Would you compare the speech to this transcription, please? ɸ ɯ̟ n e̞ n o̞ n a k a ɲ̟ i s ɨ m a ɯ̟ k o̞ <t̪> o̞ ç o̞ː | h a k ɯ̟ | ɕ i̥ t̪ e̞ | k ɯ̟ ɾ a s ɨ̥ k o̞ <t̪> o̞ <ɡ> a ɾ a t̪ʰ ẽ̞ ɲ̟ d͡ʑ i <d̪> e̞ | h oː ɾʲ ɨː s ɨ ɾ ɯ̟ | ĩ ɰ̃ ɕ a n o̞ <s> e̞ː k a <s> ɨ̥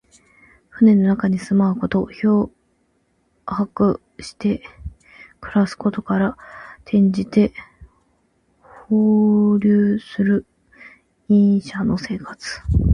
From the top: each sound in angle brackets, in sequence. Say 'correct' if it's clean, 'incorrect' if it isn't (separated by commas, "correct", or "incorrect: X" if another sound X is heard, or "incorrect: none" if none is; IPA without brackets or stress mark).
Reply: correct, correct, incorrect: k, incorrect: t̪, correct, incorrect: t͡s